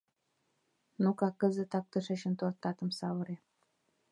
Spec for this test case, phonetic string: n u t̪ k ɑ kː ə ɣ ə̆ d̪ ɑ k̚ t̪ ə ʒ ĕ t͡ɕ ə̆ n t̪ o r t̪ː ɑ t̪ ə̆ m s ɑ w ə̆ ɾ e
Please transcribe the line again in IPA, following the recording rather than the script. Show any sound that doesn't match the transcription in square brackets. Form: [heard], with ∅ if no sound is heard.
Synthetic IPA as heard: n u [∅] k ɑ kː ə [z] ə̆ [t̪] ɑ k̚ t̪ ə [ʃ] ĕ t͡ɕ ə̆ n t̪ o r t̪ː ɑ t̪ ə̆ m s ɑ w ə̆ ɾ e